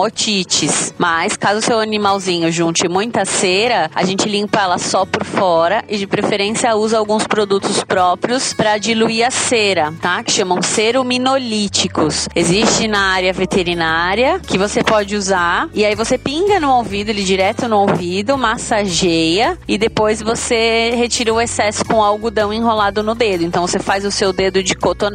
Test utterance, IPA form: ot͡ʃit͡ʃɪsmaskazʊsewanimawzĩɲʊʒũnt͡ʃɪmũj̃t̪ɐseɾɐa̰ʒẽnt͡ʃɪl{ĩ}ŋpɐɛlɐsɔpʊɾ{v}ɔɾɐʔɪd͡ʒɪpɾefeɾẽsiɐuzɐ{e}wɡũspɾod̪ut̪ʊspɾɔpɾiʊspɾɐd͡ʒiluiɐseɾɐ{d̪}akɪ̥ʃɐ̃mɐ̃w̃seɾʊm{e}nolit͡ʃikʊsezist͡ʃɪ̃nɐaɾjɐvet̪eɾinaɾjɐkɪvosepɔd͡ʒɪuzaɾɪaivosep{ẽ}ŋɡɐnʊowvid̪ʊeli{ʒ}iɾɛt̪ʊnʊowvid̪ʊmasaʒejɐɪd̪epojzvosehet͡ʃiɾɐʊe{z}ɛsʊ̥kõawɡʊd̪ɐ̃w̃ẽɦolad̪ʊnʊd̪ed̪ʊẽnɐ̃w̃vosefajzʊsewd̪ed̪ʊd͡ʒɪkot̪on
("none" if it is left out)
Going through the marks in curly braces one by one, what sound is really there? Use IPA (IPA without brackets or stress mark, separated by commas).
ĩ, f, a, t̪, i, ĩ, d͡ʒ, s